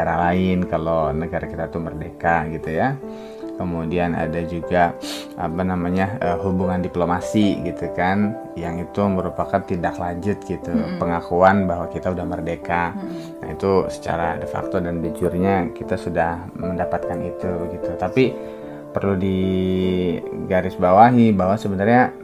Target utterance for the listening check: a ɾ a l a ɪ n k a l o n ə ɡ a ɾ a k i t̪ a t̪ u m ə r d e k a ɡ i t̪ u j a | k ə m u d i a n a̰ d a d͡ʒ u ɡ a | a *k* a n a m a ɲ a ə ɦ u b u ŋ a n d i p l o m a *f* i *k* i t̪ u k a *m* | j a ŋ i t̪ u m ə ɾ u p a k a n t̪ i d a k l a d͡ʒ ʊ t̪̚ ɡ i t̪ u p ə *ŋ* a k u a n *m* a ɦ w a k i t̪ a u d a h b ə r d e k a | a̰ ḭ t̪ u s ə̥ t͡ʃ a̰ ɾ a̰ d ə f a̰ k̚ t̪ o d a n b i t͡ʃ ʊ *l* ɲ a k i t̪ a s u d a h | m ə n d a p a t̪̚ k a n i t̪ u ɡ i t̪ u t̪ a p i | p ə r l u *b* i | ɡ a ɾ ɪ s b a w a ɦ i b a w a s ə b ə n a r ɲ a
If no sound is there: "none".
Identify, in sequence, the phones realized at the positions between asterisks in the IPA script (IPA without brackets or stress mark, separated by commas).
p, s, ɡ, n, ŋ, b, r, d